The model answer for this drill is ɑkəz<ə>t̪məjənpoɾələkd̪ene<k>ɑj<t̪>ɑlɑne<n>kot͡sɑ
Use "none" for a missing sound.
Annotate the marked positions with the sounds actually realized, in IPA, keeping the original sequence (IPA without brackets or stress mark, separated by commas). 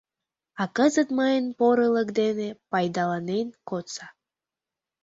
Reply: ə, p, d̪, n